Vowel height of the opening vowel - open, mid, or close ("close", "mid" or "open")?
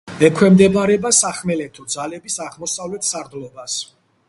mid